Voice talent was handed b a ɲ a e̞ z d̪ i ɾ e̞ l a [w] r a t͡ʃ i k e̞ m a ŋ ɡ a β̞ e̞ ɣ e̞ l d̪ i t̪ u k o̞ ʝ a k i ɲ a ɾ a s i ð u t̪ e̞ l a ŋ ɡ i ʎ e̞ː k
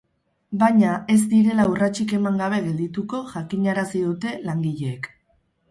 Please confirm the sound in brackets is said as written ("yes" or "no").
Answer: no